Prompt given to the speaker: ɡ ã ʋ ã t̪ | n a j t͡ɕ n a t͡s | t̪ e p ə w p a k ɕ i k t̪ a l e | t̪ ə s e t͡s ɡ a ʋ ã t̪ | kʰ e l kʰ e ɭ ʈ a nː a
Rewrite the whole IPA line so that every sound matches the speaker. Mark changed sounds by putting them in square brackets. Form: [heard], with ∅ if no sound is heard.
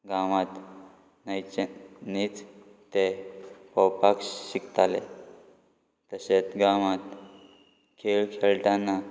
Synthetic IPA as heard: ɡ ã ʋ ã t̪ | n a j t͡ɕ n [i] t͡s | t̪ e p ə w p a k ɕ i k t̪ a l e | t̪ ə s e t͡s ɡ a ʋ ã t̪ | kʰ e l kʰ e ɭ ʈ a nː a